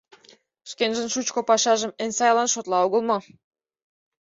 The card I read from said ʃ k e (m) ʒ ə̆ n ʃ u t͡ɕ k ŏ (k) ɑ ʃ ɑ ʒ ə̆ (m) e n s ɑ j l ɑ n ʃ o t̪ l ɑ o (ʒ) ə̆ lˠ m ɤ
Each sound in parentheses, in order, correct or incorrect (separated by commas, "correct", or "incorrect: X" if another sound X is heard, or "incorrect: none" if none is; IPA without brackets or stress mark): incorrect: n, incorrect: p, correct, incorrect: ɣ